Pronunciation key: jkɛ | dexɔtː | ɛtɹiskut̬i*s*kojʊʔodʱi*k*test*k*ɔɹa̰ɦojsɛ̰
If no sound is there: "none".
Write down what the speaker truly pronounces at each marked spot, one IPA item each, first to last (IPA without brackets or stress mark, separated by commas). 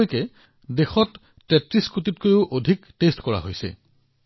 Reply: t, k, k